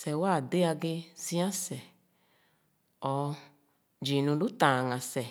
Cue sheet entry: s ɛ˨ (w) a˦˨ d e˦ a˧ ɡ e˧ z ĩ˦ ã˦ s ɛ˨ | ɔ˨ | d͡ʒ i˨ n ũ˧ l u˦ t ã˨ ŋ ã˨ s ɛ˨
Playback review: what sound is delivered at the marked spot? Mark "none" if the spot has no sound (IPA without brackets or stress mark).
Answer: w